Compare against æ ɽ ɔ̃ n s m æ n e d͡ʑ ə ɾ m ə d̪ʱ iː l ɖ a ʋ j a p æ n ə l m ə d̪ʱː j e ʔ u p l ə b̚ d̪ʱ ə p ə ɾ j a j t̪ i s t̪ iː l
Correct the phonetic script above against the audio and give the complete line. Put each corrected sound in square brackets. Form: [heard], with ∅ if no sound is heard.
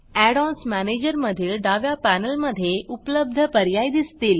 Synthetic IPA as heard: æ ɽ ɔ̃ n s m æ n e d͡ʑ ə ɾ m ə d̪ʱ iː l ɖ a ʋ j a p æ n ə l m ə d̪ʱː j e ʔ u p l ə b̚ d̪ʱ ə p ə ɾ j a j [d̪] i s t̪ iː l